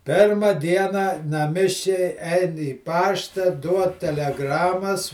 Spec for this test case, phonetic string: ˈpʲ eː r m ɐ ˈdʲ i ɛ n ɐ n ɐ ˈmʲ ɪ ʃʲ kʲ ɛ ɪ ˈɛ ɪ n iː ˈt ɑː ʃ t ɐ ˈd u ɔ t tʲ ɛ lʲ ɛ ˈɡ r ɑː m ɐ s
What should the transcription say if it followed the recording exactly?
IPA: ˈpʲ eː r m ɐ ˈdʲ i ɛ n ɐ n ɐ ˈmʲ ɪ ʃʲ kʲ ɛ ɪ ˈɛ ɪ n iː ˈp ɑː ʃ t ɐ ˈd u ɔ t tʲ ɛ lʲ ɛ ˈɡ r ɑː m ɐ s